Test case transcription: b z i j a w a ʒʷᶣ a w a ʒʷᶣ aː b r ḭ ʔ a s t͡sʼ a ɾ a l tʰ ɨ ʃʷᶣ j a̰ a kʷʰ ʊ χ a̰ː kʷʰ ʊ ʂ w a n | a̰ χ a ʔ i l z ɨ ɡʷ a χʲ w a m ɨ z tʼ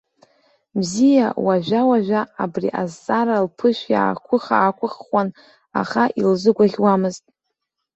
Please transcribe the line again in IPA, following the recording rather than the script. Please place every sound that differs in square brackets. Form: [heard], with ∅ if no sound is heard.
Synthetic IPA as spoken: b z i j a w a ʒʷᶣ a w a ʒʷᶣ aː b r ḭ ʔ a [z] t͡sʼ a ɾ a l [pʰ] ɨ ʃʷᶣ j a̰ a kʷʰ ʊ χ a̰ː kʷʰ ʊ [χ] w a n | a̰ χ a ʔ i l z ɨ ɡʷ a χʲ w a m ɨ z tʼ